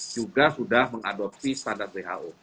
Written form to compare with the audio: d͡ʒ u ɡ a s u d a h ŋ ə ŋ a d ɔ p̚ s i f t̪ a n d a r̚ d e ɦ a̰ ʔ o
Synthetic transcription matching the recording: d͡ʒ u ɡ a s u d a h m ə ŋ a d ɔ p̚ s i s t̪ a n d a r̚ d e ɦ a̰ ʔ o